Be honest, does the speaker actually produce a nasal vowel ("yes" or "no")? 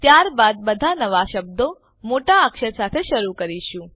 yes